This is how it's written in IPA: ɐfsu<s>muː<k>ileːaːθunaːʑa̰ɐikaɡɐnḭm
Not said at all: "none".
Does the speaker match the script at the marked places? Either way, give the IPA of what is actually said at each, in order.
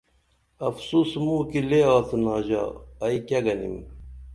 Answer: s, k

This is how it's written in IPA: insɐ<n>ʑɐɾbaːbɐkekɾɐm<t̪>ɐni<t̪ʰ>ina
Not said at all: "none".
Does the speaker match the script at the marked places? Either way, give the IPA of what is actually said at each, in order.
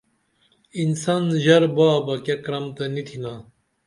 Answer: n, t̪, t̪ʰ

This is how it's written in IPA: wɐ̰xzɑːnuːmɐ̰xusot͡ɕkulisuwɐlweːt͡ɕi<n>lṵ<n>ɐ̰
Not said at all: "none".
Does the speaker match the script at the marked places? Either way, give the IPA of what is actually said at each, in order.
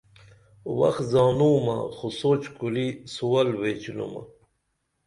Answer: none, m

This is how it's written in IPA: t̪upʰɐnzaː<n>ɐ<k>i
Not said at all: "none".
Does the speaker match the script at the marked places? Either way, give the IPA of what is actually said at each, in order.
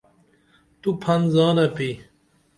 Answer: n, p

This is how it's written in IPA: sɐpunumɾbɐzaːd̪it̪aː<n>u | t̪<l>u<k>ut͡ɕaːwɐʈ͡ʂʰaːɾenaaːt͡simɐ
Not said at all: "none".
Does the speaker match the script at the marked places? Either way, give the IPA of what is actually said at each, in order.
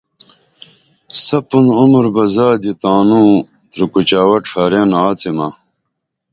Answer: n, ɾ, k

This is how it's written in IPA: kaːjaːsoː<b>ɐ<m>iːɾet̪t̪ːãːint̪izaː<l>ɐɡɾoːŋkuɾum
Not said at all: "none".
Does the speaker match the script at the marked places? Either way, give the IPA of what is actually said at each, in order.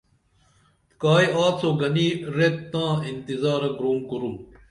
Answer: ɡ, n, ɾ

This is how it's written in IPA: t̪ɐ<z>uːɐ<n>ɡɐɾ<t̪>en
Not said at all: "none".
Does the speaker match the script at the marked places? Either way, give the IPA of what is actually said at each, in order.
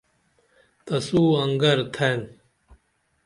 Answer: s, ŋ, t̪ʰ

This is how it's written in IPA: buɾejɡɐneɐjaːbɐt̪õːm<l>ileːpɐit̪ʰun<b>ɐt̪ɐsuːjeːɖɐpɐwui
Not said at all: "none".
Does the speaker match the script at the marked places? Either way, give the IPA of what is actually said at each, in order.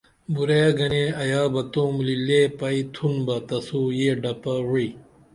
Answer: l, b

